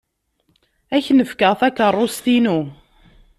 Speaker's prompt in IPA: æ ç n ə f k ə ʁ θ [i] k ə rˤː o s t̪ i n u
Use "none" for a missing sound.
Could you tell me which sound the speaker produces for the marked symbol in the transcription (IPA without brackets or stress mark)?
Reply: æ